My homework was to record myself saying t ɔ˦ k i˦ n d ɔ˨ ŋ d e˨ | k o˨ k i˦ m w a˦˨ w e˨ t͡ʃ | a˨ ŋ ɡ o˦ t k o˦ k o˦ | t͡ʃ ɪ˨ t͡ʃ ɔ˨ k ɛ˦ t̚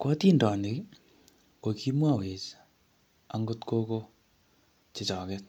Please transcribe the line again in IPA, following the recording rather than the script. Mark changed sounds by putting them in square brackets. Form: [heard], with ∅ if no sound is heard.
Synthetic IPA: [k] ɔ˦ [t] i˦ n d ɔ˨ [n] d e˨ | k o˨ k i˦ m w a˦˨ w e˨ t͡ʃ | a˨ ŋ ɡ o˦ t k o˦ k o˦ | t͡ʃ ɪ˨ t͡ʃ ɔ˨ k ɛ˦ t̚

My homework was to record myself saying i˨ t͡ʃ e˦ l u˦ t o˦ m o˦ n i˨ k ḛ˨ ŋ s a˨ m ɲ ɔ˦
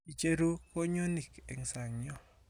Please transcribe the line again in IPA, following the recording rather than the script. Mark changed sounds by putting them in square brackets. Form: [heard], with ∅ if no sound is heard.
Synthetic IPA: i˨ t͡ʃ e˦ [ɾ] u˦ [k] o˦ [ɲ] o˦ n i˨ k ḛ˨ ŋ s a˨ [ŋ] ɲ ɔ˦

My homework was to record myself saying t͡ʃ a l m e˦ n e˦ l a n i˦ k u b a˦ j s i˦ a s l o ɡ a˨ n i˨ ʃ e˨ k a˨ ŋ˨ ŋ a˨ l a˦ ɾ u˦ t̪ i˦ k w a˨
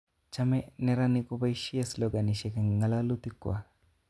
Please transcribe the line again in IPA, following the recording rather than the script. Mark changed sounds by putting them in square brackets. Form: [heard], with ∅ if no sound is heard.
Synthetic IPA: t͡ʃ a [∅] m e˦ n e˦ [ɾ] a n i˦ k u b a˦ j [ʃ] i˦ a s l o ɡ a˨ n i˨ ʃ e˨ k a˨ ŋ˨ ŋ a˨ l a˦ [l] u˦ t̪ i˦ k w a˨

